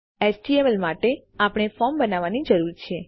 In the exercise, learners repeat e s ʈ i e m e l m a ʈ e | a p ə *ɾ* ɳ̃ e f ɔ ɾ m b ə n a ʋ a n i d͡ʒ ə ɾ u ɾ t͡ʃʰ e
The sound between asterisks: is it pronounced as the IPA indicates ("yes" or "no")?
no